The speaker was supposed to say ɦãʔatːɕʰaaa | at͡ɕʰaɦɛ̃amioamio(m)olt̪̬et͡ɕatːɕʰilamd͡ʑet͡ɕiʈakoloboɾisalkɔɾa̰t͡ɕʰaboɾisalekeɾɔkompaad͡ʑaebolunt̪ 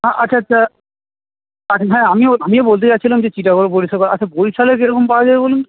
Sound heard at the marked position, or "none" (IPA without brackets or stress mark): b